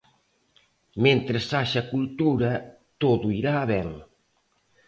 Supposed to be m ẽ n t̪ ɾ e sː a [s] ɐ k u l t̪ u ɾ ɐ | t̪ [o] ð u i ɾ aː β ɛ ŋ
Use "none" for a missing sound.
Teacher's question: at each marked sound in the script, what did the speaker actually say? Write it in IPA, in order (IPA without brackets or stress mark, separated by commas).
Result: ʃ, o